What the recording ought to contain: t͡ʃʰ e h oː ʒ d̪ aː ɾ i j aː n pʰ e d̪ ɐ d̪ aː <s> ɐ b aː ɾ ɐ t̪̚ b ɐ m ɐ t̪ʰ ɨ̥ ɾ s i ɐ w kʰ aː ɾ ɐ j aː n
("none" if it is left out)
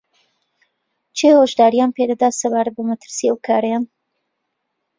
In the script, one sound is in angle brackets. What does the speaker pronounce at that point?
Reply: s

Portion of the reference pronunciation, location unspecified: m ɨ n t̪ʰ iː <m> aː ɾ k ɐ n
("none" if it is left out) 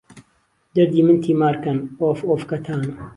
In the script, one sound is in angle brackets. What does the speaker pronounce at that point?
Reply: m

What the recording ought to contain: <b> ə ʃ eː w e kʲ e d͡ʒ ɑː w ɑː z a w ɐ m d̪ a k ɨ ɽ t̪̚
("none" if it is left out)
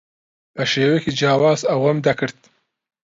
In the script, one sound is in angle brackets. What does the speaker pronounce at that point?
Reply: p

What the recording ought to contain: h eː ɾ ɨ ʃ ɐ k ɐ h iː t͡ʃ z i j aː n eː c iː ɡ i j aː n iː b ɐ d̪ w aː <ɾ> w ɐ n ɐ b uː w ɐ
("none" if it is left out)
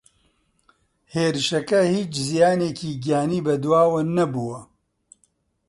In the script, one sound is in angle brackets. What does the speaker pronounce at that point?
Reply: none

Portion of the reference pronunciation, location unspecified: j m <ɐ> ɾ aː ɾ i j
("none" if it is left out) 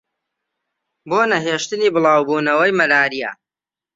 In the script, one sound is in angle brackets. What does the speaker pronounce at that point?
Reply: ɐ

